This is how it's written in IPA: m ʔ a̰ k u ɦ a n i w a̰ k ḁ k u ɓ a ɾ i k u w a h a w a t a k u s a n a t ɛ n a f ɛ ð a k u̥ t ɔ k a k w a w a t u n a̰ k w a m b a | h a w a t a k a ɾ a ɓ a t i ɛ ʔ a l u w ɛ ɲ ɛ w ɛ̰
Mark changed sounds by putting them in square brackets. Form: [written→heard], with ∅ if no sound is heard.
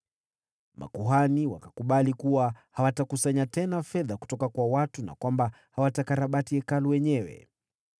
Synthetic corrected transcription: m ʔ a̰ k u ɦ a n i w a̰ k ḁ k u ɓ a [ɾ→l] i k u w a h a w a t a k u s a [n→ɲ] a t ɛ n a f ɛ ð a k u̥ t ɔ k a k w a w a t u n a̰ k w a m b a | h a w a t a k a ɾ a ɓ a t i ɛ [ʔ→k] a l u w ɛ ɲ ɛ w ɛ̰

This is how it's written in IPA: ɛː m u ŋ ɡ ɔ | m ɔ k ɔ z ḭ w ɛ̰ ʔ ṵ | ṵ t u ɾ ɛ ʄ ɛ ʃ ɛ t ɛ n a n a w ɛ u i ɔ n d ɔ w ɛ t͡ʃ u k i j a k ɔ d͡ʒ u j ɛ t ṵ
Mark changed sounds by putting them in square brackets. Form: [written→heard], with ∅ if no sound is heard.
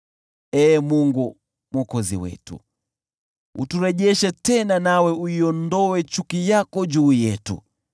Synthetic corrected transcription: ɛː m u ŋ ɡ [ɔ→u] | m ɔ k ɔ z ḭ w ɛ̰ [ʔ→t] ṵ | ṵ t u ɾ ɛ ʄ ɛ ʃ ɛ t ɛ n a n a w ɛ u i ɔ n d ɔ w ɛ t͡ʃ u k i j a k ɔ d͡ʒ [u→uː] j ɛ t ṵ

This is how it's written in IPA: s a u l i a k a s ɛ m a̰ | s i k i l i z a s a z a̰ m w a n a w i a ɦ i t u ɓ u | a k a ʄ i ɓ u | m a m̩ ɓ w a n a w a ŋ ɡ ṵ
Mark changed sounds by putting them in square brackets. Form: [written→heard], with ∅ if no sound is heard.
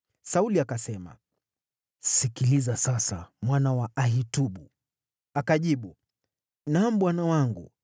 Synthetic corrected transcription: s a u l i a k a s ɛ m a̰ | s i k i l i z a s a [z→s] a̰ m w a n a w [i→a] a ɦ i t u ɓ u | a k a ʄ i ɓ u | [m→n] a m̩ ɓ w a n a w a ŋ ɡ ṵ

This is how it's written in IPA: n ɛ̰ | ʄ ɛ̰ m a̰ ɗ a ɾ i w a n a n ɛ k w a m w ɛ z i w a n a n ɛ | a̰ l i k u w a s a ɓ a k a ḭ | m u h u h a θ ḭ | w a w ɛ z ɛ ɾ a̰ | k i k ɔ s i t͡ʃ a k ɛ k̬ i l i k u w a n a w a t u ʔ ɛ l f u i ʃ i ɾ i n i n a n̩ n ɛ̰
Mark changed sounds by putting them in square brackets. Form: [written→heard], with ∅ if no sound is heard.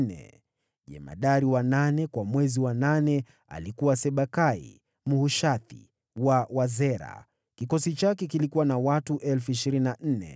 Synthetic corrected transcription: n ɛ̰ | ʄ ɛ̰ m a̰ ɗ a ɾ i w a n a n ɛ k w a m w ɛ z i w a n a n ɛ | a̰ l i k u w a s [a→ɛ] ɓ a k a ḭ | m u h u [h→ʃ] a θ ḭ | w a w [ɛ→a] z ɛ ɾ a̰ | k i k ɔ s i t͡ʃ a k ɛ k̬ i l i k u w a n a w a t u ʔ ɛ l f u i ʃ i ɾ i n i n a n̩ n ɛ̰

